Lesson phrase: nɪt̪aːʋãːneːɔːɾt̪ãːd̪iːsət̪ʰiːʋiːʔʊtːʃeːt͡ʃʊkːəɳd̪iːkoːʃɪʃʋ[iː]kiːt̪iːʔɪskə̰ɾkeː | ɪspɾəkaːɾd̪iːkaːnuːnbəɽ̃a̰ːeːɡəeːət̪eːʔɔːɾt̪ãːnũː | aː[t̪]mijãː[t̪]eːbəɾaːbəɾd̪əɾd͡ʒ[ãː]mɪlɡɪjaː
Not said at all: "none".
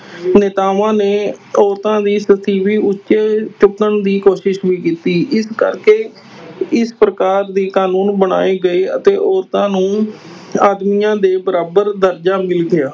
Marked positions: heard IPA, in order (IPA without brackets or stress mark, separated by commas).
iː, d̪, d̪, aː